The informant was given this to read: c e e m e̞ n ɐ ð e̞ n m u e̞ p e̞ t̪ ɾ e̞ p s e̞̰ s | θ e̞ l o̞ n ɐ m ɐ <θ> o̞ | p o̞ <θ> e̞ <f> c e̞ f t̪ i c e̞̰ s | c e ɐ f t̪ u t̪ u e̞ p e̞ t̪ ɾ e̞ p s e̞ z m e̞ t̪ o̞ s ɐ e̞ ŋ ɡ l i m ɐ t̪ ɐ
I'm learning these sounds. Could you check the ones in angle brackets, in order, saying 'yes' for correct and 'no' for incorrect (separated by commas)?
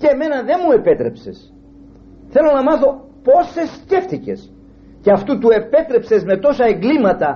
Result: yes, no, no